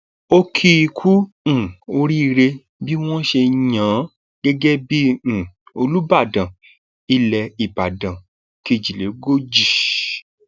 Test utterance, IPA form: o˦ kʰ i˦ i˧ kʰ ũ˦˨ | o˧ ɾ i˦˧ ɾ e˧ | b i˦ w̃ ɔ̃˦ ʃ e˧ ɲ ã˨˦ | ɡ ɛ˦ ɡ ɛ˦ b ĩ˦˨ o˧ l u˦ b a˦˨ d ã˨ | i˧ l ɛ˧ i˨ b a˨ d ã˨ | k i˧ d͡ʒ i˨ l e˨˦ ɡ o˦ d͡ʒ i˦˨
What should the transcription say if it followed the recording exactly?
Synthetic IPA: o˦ kʰ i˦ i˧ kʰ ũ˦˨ | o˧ ɾ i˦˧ ɾ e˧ | b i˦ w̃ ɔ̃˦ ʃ e˧ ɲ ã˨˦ | ɡ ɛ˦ ɡ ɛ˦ b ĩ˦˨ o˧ l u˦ b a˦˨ d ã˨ | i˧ l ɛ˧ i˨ b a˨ d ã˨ | k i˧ d͡ʒ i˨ l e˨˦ ɡ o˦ d͡ʒ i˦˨